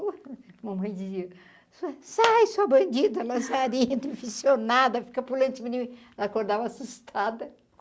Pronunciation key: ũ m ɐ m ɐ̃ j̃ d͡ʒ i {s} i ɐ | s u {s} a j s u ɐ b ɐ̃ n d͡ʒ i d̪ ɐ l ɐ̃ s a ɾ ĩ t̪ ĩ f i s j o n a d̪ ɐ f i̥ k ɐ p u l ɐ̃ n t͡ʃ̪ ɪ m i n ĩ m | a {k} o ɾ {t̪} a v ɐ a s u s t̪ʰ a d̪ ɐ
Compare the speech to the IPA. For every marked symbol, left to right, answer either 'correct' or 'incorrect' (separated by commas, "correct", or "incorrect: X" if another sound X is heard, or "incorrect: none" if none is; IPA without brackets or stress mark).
incorrect: z, correct, correct, incorrect: d̪